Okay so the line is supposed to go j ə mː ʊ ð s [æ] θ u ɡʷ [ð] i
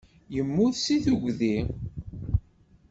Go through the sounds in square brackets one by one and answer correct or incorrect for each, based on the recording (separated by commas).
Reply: incorrect, correct